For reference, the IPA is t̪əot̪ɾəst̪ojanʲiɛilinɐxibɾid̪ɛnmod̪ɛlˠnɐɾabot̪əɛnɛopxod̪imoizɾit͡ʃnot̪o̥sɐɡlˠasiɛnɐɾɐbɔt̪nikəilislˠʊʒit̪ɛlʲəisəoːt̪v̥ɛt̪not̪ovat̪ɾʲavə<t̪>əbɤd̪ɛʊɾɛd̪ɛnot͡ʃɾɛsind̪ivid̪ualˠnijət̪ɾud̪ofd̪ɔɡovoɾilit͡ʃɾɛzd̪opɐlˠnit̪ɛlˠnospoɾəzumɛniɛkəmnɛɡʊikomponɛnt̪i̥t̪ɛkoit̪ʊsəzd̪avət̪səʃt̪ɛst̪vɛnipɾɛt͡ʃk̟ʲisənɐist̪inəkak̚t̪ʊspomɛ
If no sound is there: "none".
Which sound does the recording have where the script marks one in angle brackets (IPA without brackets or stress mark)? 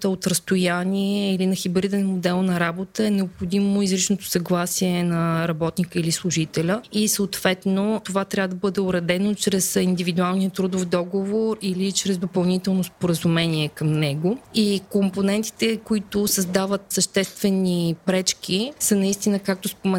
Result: d̪